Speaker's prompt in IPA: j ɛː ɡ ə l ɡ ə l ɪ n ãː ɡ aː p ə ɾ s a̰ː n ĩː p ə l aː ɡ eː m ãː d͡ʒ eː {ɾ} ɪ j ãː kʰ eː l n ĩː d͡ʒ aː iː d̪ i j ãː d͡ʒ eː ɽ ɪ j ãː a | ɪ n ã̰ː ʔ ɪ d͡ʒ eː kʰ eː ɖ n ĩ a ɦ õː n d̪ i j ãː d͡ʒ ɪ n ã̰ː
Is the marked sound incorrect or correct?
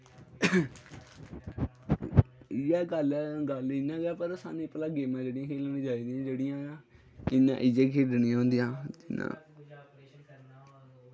incorrect: ɽ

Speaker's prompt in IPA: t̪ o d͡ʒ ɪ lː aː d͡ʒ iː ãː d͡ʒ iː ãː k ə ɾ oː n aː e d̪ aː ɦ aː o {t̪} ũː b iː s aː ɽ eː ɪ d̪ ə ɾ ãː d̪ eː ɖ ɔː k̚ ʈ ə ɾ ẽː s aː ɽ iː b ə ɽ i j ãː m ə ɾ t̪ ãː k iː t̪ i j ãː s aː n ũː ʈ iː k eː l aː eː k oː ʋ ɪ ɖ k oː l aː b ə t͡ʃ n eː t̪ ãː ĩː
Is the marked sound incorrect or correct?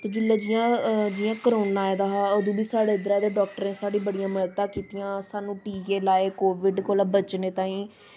incorrect: d̪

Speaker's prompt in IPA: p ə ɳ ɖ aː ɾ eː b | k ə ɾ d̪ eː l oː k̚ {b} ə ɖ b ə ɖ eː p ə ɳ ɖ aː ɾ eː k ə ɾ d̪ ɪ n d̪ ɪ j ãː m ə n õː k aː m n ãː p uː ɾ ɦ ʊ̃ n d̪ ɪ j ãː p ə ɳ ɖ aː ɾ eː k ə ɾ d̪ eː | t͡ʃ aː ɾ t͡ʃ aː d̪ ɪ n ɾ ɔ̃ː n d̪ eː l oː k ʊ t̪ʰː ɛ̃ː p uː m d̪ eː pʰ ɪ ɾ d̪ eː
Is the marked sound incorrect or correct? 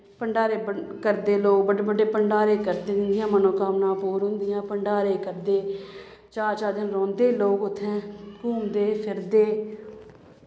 correct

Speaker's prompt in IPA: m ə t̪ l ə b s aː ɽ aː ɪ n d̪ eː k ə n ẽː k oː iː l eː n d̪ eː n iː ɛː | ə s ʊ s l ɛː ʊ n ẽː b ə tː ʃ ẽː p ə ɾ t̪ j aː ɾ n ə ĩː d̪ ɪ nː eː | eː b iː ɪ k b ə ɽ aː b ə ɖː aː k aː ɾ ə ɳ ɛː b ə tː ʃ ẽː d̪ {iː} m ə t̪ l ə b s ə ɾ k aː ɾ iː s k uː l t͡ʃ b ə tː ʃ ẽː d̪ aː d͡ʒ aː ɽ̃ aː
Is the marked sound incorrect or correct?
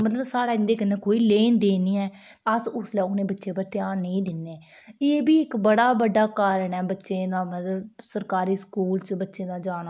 incorrect: aː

